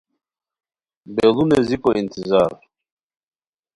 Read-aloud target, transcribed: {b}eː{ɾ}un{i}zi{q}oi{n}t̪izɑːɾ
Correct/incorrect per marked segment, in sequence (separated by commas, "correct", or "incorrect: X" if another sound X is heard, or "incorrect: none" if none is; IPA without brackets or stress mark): correct, incorrect: l, incorrect: e, incorrect: p, correct